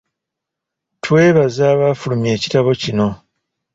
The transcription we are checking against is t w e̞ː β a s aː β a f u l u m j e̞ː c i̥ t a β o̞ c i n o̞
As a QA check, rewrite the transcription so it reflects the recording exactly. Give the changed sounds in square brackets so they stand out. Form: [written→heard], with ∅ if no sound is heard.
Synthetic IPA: t w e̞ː β a [s→z] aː β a f u l u m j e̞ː c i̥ t a β o̞ c i n o̞